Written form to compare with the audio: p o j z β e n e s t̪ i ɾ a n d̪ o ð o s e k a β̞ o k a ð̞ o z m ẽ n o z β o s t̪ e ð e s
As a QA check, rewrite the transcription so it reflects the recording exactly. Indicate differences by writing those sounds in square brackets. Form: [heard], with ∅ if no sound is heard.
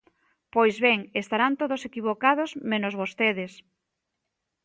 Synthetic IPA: p o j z β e [ŋ] e s t̪ [a] ɾ a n [t̪] o ð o s e k [i] β̞ o k a ð̞ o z m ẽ n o z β o s t̪ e ð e s